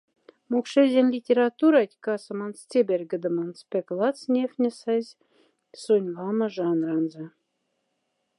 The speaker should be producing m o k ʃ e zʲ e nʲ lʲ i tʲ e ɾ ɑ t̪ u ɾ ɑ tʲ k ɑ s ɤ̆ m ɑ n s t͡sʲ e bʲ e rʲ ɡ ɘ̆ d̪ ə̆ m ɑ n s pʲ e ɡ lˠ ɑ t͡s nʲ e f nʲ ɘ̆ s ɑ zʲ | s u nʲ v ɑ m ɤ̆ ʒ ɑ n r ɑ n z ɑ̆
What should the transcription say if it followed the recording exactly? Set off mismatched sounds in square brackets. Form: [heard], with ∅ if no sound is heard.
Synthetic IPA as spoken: m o k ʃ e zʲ e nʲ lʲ i tʲ e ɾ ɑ t̪ u ɾ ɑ tʲ k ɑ s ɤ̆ m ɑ n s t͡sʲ e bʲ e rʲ ɡ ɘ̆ d̪ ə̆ m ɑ n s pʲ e [k] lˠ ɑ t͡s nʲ e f nʲ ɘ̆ s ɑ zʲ | s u nʲ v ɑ m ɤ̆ ʒ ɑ n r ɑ n z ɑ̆